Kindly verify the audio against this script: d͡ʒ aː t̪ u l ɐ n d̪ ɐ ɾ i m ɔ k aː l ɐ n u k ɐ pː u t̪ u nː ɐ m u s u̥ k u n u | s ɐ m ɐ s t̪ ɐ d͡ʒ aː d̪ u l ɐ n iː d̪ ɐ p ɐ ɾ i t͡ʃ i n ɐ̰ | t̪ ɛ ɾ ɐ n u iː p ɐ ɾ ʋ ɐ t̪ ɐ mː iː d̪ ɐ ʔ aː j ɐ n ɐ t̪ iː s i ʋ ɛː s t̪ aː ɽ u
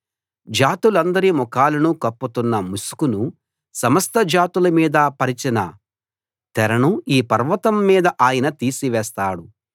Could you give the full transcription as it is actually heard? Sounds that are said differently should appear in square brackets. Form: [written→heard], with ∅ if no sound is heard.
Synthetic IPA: d͡ʒ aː t̪ u l ɐ n d̪ ɐ ɾ i m ɔ k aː l ɐ n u k ɐ pː u t̪ u nː ɐ m u s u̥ k u n u | s ɐ m ɐ s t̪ ɐ d͡ʒ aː [d̪→t̪] u l ɐ [n→m] iː d̪ ɐ p ɐ ɾ i t͡ʃ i n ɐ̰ | t̪ ɛ ɾ ɐ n u iː p ɐ ɾ ʋ ɐ t̪ ɐ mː iː d̪ ɐ ʔ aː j ɐ n ɐ t̪ iː s i ʋ ɛː s t̪ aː ɽ u

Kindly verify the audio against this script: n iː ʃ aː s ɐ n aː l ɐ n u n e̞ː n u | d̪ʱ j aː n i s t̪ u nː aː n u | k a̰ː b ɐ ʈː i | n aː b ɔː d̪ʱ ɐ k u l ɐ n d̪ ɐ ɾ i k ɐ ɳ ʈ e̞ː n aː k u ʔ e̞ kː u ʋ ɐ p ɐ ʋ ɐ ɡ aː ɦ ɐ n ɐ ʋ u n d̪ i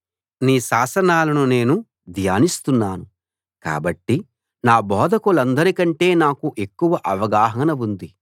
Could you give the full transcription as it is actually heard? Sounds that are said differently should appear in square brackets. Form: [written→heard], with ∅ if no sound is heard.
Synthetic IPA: n iː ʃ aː s ɐ n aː l ɐ n u n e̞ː n u | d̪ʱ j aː n i s t̪ u nː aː n u | k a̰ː b ɐ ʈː i | n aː b ɔː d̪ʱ ɐ k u l ɐ n d̪ ɐ ɾ i k ɐ ɳ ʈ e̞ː n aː k u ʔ e̞ kː u ʋ ɐ [p→ʔ] ɐ ʋ ɐ ɡ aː ɦ ɐ n ɐ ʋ u n d̪ i

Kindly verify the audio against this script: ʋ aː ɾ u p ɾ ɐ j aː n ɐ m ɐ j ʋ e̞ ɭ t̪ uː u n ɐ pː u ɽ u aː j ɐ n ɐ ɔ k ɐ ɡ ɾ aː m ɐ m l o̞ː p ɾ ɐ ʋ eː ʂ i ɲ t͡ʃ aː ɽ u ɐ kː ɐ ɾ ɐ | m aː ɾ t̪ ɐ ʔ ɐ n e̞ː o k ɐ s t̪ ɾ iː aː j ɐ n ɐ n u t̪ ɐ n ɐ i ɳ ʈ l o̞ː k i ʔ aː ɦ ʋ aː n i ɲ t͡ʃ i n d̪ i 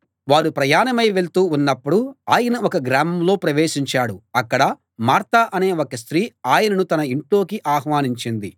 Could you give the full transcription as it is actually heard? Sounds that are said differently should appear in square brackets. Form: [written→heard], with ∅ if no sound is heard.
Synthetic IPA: ʋ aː ɾ u p ɾ ɐ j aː n ɐ m ɐ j ʋ e̞ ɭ t̪ uː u [n→nː] ɐ pː u ɽ u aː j ɐ n ɐ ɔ k ɐ ɡ ɾ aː m ɐ m l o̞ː p ɾ ɐ ʋ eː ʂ i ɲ t͡ʃ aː ɽ u ɐ kː ɐ [ɾ→ɽ] ɐ | m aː ɾ t̪ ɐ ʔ ɐ n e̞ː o k ɐ s t̪ ɾ iː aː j ɐ n ɐ n u t̪ ɐ n ɐ i ɳ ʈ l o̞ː k i ʔ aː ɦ ʋ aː n i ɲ t͡ʃ i n d̪ i

